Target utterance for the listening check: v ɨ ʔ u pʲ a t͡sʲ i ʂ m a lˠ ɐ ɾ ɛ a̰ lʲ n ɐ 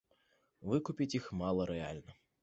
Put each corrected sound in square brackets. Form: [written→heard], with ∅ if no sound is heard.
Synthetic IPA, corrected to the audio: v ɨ [ʔ→k] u pʲ [a→i] t͡sʲ i [ʂ→x] m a lˠ ɐ ɾ ɛ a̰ lʲ n ɐ